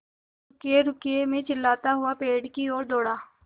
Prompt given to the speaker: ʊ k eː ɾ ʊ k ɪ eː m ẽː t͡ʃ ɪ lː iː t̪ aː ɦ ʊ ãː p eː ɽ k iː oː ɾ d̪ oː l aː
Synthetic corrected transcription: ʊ k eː ɾ ʊ k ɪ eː m ẽː t͡ʃ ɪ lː aː t̪ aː ɦ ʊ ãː p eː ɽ k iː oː ɾ d̪ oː ɽ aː